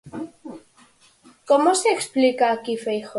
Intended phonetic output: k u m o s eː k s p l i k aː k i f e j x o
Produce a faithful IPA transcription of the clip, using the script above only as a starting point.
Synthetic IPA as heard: k o m o s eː k s p l i k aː k i f e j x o